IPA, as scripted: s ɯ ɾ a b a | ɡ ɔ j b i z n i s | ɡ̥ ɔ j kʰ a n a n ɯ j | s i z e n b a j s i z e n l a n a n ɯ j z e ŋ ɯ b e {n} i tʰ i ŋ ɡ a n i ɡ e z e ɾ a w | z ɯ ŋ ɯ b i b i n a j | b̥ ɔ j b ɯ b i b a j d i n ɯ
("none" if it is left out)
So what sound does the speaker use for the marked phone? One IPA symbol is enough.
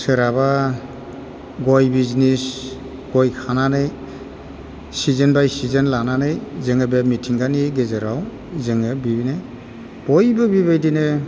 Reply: m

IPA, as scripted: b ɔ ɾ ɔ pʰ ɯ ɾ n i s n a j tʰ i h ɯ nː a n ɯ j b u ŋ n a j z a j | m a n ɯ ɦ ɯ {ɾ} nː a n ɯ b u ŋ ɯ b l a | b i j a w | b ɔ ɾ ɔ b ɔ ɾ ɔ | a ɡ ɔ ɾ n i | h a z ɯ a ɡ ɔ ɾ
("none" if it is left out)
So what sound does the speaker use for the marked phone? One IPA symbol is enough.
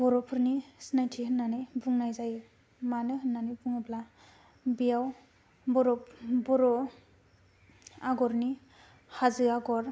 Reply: none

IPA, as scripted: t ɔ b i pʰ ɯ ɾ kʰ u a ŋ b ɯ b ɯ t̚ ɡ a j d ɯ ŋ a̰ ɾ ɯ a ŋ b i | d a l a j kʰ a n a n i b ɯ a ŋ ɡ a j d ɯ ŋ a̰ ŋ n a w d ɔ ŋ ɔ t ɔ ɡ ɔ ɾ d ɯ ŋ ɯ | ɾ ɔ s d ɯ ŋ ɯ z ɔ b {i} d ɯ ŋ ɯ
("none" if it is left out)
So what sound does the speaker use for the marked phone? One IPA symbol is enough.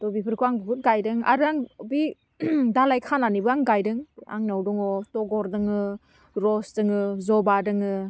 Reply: a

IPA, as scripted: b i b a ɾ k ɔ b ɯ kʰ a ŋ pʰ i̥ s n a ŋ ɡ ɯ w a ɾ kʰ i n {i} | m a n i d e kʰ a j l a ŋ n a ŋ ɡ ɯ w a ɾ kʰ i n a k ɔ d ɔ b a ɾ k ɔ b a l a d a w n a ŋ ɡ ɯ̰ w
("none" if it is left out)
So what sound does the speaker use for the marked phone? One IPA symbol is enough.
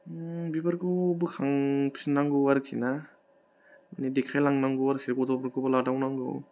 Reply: a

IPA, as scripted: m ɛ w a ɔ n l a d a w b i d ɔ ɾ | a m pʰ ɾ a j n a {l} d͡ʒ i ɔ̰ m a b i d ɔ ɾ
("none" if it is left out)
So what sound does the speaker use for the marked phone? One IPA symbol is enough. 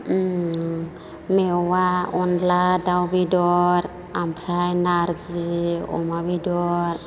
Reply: ɾ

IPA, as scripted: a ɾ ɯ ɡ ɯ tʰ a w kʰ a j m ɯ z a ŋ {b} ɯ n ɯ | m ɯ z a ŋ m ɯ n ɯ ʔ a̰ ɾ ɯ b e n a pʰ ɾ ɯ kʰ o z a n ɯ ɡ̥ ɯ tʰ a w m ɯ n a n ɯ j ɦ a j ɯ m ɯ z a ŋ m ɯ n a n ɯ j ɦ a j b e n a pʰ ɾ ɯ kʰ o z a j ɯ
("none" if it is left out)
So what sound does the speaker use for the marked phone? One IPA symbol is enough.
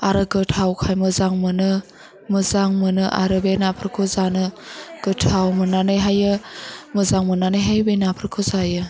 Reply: m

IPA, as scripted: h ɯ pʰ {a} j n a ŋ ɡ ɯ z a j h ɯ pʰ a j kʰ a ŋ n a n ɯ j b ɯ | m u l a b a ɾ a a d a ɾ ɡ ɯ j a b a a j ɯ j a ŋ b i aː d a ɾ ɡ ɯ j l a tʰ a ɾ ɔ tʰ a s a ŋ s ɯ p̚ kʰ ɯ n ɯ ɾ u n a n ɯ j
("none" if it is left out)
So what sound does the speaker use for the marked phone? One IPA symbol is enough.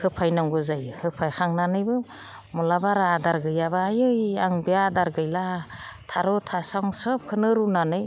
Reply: a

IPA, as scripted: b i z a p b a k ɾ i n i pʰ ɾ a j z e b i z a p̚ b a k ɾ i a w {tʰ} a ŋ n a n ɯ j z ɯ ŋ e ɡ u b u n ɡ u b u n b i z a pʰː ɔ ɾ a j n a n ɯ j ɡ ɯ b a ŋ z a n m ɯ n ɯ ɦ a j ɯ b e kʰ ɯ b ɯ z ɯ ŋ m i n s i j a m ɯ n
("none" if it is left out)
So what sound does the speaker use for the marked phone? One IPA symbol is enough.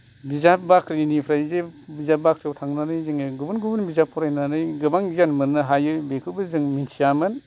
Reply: tʰ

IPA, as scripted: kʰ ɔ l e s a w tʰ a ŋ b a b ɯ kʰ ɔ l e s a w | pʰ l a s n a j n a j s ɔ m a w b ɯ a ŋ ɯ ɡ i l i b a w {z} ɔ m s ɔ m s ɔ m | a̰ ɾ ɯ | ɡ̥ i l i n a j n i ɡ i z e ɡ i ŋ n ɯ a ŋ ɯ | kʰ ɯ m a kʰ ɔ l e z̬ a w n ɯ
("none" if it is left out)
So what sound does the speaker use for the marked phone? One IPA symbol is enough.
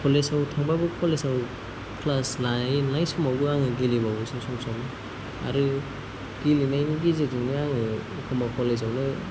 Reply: s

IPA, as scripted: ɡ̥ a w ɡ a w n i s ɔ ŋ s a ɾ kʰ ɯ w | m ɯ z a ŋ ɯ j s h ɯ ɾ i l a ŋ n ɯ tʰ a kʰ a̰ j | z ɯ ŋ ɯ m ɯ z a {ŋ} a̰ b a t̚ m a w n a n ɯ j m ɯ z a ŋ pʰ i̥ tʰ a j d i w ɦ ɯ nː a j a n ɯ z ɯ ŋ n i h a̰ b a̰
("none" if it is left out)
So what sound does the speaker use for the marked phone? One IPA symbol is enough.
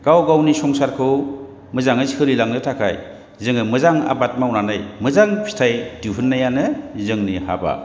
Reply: ŋ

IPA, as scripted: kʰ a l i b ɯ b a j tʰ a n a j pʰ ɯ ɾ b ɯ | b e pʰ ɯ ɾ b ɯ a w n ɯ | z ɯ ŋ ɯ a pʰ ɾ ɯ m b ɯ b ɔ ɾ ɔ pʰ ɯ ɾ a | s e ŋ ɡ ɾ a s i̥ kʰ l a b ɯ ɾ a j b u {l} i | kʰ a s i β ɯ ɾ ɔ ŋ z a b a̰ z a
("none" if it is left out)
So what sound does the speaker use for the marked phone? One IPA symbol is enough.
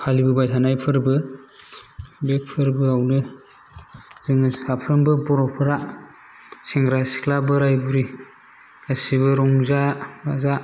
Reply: ɾ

